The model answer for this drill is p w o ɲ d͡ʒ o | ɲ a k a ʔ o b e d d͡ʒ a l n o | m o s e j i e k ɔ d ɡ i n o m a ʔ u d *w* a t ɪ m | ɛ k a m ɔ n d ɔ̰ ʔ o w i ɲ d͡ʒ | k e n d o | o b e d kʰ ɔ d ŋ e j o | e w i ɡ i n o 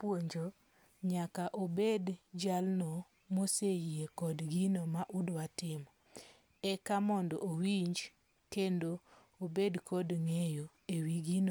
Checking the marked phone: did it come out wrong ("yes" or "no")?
no